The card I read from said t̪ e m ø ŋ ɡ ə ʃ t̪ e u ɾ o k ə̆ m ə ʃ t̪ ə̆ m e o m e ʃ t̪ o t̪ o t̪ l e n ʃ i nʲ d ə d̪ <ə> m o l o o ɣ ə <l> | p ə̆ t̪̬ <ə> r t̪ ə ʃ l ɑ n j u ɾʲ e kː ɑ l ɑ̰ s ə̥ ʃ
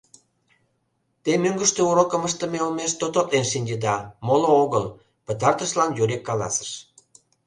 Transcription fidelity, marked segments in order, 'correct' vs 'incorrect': incorrect: ɑ, correct, incorrect: ɑ

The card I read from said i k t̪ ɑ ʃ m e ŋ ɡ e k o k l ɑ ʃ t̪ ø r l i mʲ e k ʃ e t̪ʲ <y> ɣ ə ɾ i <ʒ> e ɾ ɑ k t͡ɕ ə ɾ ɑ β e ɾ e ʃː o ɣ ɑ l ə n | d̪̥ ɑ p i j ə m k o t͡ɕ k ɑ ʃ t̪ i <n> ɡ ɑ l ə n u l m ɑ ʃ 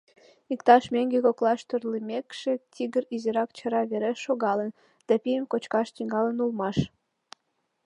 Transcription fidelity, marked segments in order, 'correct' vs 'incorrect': incorrect: i, incorrect: z, incorrect: ŋ

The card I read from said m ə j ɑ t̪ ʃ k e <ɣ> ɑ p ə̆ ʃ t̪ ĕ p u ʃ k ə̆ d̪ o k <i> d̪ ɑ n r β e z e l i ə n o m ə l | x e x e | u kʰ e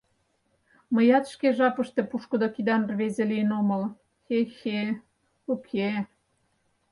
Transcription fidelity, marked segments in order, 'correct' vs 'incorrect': incorrect: ʒ, correct

